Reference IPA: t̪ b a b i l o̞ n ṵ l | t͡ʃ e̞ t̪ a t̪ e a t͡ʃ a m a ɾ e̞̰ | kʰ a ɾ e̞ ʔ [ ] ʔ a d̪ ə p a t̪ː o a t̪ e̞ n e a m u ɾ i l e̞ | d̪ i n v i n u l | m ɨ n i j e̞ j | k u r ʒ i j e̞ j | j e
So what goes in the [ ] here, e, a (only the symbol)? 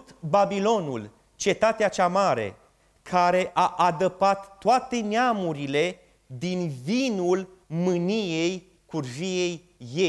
a